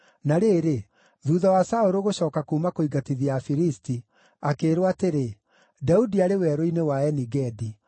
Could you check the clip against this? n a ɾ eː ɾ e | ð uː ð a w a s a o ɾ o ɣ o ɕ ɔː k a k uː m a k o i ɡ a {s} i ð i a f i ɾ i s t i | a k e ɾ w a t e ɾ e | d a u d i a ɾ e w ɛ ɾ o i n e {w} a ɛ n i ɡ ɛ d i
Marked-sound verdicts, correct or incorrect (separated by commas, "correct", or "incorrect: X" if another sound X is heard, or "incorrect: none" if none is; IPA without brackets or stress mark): incorrect: t, correct